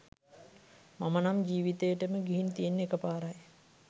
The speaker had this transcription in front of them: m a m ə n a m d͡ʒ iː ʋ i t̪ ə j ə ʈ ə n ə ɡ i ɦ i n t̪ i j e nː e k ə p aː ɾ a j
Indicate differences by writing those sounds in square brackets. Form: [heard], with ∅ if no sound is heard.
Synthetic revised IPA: m a m ə n a m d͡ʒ iː ʋ i t̪ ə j ə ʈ ə [m] ə ɡ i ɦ i n t̪ i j e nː e k ə p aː ɾ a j